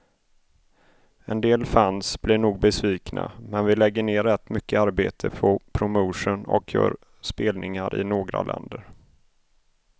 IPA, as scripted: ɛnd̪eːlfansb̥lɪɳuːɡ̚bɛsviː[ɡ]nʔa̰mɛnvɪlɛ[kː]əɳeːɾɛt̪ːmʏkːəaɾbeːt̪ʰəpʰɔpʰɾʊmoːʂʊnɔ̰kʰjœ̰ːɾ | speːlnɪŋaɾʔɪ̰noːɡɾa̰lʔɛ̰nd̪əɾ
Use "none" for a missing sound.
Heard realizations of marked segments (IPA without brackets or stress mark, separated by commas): k, ɡː